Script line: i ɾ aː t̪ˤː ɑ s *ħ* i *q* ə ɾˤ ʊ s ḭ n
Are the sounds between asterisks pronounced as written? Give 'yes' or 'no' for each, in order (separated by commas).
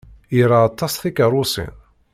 no, no